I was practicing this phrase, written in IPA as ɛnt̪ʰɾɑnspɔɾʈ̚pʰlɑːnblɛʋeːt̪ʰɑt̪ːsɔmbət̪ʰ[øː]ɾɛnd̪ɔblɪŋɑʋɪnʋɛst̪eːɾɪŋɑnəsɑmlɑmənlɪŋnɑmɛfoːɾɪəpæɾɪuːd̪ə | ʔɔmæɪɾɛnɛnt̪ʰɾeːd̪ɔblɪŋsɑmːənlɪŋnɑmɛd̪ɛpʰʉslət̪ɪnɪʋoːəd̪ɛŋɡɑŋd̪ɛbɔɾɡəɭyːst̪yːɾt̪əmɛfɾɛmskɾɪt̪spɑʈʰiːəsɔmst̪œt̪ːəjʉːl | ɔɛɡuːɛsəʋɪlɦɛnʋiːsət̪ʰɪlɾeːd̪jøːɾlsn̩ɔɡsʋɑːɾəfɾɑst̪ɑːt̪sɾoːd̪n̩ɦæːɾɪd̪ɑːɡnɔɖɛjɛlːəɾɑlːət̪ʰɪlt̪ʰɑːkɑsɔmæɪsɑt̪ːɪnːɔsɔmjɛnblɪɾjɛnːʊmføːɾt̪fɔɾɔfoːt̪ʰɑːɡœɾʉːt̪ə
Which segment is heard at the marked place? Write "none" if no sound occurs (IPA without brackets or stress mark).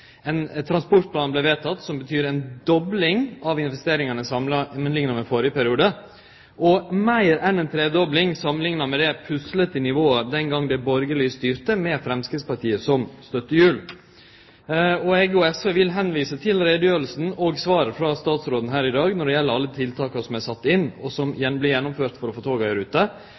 yː